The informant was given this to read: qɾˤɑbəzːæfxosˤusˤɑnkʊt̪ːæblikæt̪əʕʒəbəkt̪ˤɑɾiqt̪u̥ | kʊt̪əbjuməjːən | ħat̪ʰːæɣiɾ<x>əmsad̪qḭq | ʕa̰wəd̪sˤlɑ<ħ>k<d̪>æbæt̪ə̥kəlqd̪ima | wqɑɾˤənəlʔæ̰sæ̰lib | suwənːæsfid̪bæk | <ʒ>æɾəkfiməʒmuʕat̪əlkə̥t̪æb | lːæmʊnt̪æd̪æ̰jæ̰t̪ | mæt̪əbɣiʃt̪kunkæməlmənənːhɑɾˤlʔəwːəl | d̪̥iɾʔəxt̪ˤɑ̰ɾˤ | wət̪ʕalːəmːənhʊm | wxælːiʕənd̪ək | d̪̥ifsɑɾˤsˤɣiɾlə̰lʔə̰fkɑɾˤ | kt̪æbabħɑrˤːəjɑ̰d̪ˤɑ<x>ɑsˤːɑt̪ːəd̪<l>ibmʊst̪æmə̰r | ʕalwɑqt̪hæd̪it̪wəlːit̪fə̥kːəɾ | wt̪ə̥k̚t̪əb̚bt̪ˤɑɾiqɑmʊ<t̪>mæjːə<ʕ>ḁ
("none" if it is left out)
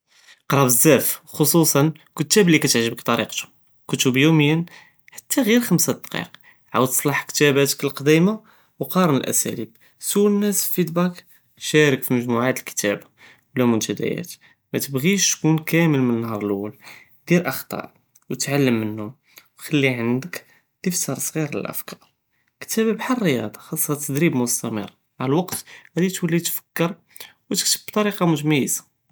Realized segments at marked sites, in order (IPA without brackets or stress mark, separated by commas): x, ħ, t̪, ʃ, x, ɾ, t̪, z